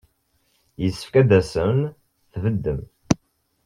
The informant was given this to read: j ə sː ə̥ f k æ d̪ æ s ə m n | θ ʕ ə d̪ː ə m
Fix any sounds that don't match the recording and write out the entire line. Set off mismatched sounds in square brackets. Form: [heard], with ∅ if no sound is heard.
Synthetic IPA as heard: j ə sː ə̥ f k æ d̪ æ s ə m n | θ [v] ə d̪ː ə m